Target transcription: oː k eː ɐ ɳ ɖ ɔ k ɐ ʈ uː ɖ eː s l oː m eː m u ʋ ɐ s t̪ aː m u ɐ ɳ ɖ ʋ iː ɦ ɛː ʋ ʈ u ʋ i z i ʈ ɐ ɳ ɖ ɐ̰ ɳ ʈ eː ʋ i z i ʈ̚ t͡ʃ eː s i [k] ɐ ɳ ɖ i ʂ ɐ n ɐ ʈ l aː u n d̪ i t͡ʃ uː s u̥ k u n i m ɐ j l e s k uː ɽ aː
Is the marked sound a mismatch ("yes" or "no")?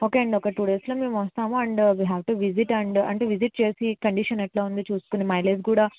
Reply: no